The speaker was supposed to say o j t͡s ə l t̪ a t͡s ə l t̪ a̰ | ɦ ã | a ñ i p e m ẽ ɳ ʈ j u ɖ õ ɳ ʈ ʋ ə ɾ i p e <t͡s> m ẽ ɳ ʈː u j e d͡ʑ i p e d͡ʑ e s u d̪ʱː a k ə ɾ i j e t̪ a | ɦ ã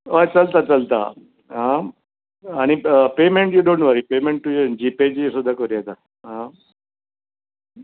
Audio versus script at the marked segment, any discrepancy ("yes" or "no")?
yes